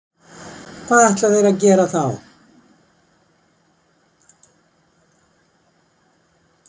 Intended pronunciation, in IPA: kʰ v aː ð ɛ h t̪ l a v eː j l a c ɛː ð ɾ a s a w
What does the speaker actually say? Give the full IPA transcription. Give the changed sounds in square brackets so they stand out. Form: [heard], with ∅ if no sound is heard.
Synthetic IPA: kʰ v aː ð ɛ h t̪ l a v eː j [ɾ] a c ɛː [∅] ɾ a [θ] a w